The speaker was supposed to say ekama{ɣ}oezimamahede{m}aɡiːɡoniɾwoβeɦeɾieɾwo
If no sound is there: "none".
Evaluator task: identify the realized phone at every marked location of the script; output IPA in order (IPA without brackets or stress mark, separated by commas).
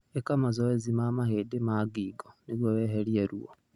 z, m